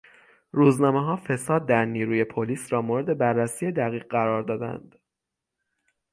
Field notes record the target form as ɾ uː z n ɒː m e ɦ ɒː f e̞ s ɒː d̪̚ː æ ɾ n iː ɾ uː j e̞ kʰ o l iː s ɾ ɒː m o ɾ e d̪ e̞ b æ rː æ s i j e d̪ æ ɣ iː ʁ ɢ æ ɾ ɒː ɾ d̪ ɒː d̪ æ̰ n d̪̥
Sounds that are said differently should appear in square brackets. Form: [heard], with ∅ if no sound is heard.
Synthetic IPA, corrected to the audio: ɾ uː z n ɒː m e ɦ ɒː f e̞ s ɒː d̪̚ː æ ɾ n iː ɾ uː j e̞ [pʰ] o l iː s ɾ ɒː m o ɾ e d̪ e̞ b æ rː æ s i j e d̪ æ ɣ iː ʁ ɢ æ ɾ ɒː ɾ d̪ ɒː d̪ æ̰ n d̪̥